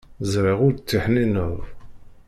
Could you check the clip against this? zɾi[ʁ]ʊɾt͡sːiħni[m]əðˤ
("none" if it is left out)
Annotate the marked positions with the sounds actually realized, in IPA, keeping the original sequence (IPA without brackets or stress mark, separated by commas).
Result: ʁ, n